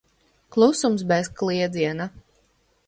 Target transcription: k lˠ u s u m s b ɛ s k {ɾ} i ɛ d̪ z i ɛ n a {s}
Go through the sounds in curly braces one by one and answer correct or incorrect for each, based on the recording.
incorrect: l, incorrect: none

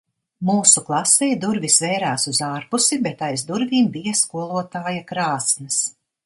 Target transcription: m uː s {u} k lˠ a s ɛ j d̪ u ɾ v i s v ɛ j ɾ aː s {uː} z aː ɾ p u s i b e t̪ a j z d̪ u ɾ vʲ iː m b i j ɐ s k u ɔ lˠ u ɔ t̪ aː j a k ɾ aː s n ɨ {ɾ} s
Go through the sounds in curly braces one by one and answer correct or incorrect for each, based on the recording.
correct, incorrect: u, incorrect: none

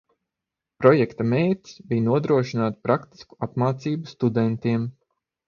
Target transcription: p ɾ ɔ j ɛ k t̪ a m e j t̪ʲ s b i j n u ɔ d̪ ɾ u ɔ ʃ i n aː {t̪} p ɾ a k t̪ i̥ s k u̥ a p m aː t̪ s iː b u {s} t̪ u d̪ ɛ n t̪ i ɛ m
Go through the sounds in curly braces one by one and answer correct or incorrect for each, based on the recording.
correct, correct

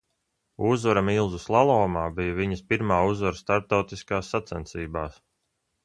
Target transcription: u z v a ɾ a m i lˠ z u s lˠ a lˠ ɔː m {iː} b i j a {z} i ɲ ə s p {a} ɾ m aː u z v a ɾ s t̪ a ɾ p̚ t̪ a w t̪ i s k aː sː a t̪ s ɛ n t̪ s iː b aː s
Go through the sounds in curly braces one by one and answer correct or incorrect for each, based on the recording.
incorrect: aː, incorrect: v, incorrect: i

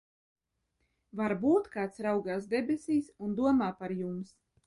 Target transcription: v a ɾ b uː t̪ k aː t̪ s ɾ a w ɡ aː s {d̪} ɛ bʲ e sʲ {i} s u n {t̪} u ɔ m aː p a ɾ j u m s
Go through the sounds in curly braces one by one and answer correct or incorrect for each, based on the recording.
correct, incorrect: iː, incorrect: d̪

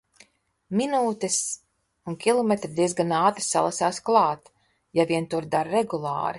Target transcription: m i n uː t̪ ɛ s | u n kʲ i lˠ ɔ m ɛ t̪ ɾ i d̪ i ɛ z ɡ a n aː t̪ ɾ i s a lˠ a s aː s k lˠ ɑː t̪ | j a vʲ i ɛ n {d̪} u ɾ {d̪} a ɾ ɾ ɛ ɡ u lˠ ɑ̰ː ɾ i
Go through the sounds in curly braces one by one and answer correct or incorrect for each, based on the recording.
incorrect: t̪, correct

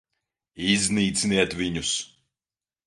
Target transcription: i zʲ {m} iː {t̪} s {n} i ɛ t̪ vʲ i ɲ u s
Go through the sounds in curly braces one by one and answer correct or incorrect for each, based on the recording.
incorrect: n, correct, correct

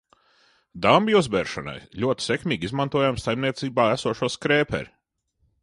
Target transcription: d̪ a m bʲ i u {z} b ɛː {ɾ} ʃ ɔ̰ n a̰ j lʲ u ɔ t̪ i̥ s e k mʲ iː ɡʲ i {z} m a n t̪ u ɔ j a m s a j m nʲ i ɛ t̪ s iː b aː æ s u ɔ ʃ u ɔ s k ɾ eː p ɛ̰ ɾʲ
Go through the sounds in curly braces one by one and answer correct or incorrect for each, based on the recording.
correct, correct, correct

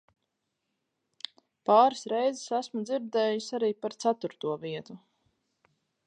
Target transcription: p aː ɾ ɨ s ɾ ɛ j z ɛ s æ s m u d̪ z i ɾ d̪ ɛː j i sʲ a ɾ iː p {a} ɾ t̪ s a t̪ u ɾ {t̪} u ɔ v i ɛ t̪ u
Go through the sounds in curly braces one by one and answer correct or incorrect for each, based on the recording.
correct, correct

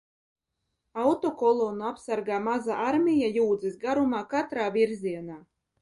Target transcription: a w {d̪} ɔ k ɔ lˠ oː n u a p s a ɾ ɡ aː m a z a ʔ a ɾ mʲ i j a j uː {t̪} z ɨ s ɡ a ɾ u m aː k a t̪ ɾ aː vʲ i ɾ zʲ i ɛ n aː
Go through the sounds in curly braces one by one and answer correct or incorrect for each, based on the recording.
incorrect: t̪, incorrect: d̪

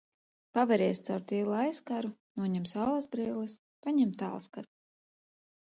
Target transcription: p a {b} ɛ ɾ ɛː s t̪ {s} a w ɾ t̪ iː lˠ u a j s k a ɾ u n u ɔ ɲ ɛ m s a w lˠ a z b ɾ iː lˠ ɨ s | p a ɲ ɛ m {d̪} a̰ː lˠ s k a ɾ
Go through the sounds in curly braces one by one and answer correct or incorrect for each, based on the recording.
incorrect: v, correct, incorrect: t̪

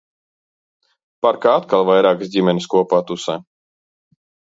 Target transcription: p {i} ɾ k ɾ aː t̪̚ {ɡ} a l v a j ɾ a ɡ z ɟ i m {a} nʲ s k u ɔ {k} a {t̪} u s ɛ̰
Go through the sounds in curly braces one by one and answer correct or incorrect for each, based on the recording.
incorrect: a, incorrect: k, incorrect: ɛ, incorrect: p, correct

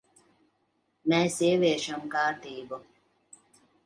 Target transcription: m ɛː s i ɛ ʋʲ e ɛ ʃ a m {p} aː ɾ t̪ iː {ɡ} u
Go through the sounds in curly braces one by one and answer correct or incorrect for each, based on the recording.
incorrect: k, incorrect: b

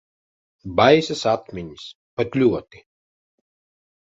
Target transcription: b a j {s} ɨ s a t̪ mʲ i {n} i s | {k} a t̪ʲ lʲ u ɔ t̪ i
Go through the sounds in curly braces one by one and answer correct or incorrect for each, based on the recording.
correct, incorrect: ɲ, incorrect: p

